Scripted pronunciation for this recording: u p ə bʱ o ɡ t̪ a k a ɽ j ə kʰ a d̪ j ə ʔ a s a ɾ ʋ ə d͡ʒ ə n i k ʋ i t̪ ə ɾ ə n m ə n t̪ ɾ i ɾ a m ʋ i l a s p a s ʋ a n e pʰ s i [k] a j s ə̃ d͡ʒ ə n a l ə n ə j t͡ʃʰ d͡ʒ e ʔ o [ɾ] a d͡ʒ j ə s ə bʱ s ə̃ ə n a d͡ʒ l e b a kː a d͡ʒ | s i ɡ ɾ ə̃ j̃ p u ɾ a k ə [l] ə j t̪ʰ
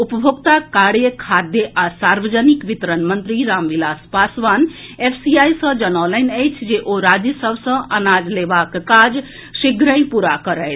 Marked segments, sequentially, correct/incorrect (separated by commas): incorrect, correct, incorrect